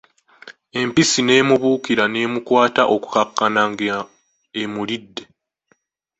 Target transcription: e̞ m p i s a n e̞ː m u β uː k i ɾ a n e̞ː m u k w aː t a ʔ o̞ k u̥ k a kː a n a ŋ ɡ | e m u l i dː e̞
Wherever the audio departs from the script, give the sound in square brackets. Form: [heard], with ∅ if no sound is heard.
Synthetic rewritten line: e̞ m p i s [i] n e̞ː m u β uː k i ɾ a n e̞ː m u k w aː t a ʔ o̞ k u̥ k a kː a n a ŋ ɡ | e m u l i dː e̞